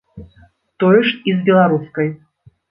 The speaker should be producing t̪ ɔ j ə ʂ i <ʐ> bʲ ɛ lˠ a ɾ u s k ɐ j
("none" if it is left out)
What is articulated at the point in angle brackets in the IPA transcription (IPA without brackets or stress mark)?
z